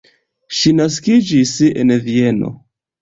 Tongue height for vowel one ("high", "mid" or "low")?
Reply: high